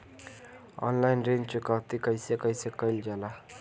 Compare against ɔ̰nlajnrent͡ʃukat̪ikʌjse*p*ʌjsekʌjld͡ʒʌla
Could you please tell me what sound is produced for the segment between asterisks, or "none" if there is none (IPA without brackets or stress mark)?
k